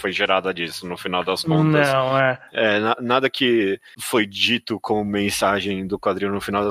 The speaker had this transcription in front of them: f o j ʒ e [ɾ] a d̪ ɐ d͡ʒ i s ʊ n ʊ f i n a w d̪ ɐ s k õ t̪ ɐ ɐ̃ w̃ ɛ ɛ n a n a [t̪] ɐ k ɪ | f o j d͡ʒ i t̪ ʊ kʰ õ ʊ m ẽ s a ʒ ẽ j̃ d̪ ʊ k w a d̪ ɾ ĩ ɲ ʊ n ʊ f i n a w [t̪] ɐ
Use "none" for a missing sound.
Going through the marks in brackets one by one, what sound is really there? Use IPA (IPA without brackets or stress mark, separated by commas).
ɾ, d̪, d̪